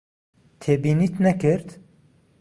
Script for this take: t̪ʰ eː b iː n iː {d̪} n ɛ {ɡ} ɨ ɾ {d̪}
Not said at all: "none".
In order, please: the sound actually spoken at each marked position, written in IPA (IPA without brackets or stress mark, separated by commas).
t̪, k, t̪